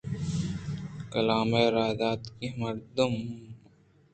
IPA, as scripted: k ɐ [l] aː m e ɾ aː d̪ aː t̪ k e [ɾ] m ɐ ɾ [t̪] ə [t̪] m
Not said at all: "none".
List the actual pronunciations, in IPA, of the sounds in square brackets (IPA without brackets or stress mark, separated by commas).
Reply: l, none, d̪, none